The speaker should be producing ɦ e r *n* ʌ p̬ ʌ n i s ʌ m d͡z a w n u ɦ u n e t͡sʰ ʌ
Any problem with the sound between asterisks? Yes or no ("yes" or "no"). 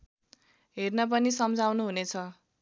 no